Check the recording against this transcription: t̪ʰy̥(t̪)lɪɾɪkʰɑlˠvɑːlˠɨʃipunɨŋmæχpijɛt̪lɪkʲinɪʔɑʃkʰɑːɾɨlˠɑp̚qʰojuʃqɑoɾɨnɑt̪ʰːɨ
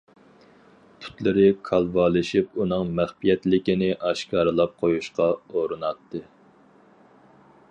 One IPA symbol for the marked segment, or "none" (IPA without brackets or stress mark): t̪